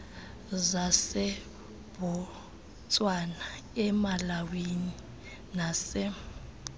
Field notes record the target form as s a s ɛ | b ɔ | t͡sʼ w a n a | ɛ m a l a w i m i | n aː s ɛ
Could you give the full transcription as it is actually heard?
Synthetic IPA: z a s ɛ | b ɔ | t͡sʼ w a n a | ɛ m a l a w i n i | n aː s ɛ